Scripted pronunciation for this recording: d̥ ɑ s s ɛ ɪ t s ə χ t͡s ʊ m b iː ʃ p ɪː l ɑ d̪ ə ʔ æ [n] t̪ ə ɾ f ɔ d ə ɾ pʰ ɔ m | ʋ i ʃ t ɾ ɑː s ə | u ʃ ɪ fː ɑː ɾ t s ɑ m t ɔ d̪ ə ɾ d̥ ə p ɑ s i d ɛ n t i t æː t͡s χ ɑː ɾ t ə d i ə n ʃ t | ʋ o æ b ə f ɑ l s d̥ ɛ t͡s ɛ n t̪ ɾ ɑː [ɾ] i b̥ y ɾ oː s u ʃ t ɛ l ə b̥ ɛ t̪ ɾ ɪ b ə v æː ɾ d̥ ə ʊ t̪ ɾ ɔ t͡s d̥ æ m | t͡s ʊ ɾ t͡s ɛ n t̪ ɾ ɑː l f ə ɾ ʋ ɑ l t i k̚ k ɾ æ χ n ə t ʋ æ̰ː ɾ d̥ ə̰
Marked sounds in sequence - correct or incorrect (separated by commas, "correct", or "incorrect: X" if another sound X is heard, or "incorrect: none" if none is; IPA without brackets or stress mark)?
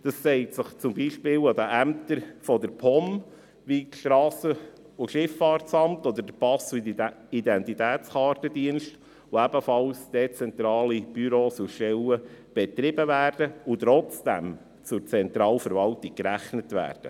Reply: incorrect: m, incorrect: l